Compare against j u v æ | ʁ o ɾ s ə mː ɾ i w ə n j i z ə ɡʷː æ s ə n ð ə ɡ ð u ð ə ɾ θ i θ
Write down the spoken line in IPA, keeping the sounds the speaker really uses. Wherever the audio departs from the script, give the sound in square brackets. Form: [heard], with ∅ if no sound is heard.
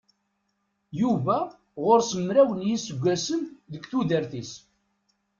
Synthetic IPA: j u v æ | ʁ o ɾ s ə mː ɾ [æ] w ə n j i [s] ə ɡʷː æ s ə n ð ə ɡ [θ] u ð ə ɾ θ i [s]